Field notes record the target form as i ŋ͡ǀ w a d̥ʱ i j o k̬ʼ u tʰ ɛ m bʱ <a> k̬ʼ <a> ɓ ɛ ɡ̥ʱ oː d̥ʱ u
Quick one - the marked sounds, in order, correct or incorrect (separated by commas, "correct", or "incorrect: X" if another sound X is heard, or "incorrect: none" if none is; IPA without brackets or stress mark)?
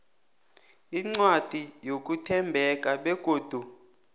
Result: incorrect: ɛ, correct